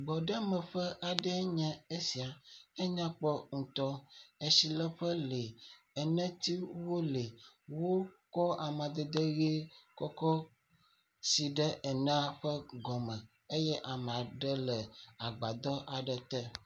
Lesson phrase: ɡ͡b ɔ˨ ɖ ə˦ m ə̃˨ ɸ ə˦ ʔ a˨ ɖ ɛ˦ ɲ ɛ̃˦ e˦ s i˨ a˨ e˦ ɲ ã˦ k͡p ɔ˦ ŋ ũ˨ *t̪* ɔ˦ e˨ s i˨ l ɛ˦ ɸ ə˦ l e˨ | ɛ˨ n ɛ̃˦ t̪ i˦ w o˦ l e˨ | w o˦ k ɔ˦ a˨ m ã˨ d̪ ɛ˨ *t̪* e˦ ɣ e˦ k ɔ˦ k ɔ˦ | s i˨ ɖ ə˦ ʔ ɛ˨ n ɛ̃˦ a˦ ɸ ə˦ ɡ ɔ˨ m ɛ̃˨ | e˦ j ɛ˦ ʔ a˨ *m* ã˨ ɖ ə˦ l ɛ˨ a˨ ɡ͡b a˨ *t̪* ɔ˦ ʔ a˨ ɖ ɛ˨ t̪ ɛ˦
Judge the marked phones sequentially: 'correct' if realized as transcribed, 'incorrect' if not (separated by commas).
correct, incorrect, correct, incorrect